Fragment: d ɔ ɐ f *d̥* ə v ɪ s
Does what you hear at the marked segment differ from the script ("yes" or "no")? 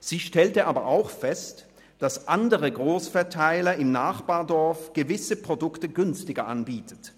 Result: yes